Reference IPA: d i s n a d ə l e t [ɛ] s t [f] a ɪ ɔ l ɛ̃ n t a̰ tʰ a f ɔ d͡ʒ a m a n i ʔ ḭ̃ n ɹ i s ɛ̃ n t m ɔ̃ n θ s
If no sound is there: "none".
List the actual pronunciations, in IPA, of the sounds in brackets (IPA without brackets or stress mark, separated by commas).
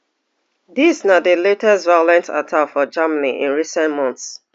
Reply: ɛ, v